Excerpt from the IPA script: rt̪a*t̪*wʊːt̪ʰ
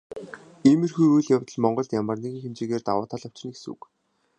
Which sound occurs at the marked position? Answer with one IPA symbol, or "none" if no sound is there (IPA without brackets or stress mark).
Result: none